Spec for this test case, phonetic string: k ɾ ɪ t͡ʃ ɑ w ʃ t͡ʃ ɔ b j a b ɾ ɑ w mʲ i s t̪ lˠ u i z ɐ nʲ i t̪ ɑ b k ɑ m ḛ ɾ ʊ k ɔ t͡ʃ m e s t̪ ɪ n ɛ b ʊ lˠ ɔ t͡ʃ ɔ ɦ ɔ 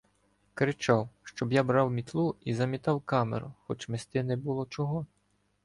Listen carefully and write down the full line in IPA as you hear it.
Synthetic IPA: k ɾ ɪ t͡ʃ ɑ w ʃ t͡ʃ ɔ b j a b ɾ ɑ w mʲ i t̪ lˠ u i z ɐ mʲ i t̪ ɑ w k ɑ m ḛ ɾ ʊ x ɔ t͡ʃ m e s t̪ ɪ n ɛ b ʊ lˠ ɔ t͡ʃ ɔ ɦ ɔ